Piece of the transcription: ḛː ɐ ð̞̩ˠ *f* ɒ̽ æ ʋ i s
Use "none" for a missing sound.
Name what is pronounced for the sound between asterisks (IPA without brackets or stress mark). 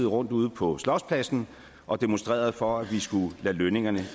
f